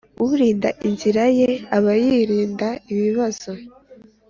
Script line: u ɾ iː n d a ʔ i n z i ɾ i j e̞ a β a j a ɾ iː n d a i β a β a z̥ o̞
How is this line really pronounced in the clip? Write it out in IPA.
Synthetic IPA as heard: u ɾ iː n d a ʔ i n z i ɾ a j e̞ a β a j i ɾ iː n d a i β i β a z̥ o̞